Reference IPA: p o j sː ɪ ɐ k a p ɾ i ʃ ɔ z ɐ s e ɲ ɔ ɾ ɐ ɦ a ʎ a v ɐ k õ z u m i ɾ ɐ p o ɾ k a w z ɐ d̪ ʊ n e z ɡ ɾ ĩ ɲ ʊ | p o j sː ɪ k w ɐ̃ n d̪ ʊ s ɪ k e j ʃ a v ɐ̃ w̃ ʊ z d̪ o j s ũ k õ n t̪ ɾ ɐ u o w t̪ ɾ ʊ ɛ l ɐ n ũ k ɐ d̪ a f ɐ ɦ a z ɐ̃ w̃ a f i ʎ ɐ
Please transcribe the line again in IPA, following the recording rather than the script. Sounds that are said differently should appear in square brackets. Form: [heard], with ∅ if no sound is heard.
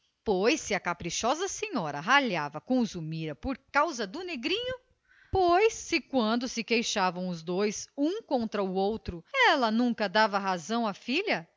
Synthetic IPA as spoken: p o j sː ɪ ɐ k a p ɾ i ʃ ɔ z ɐ s e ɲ ɔ ɾ ɐ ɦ a ʎ a v ɐ k õ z u m i ɾ ɐ p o ɾ k a w z ɐ d̪ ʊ n e [∅] ɡ ɾ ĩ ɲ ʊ | p o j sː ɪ k w ɐ̃ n d̪ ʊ s ɪ k e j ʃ a v ɐ̃ w̃ ʊ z d̪ o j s ũ k õ n t̪ ɾ ɐ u o w t̪ ɾ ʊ ɛ l ɐ n ũ k ɐ d̪ a [v] ɐ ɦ a z ɐ̃ w̃ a f i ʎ ɐ